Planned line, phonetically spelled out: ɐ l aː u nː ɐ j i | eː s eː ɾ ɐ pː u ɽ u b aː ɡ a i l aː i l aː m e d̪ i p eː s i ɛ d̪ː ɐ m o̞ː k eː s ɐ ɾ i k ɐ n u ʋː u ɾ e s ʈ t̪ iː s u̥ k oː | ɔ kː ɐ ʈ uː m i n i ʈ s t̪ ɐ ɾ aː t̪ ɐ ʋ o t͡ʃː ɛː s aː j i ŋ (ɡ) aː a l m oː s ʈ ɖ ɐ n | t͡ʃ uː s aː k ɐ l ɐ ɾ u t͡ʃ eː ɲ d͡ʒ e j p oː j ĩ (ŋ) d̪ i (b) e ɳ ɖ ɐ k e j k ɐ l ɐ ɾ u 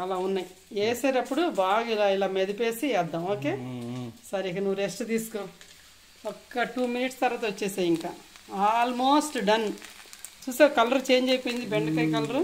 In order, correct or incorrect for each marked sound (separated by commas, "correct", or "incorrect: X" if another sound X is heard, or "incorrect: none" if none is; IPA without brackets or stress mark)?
incorrect: k, incorrect: n, correct